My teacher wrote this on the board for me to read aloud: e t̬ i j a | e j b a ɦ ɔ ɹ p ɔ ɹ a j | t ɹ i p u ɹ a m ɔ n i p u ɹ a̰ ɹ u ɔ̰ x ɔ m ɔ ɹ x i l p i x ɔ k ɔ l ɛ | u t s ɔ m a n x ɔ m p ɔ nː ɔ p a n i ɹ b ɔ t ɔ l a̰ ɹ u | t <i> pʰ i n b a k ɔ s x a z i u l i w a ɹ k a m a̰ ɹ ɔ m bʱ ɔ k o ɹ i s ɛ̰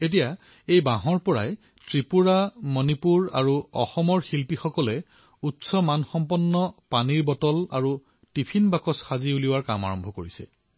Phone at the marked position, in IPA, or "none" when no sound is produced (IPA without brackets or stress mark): i